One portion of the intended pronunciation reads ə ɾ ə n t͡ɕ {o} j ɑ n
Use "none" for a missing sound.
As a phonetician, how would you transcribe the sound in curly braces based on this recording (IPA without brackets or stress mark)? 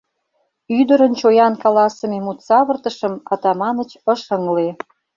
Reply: o